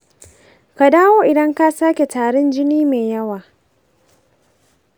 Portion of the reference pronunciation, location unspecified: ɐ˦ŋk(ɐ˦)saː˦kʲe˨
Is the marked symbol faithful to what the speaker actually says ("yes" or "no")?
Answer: no